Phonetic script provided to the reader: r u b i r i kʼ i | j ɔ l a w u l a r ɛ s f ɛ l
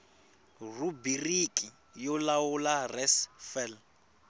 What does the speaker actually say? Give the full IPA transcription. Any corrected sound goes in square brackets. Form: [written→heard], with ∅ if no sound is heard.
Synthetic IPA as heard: r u b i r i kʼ i | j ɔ l a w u l a r ɛ s f ɛ l